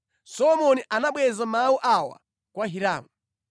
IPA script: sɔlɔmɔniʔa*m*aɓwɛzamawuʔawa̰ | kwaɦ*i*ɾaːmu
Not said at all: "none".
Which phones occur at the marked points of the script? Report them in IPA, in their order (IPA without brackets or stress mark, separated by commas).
n, i